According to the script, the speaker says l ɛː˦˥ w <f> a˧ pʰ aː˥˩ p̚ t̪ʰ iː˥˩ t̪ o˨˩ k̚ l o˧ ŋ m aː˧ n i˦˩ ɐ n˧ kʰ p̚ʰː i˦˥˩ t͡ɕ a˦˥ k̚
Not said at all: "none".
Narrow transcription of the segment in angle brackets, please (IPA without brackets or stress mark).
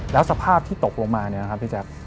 s